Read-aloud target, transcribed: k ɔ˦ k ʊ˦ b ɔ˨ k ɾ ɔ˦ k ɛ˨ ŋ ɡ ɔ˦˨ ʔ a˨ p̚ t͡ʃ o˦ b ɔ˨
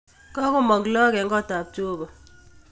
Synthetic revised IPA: k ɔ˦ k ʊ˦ m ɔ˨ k l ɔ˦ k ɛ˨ ŋ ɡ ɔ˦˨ t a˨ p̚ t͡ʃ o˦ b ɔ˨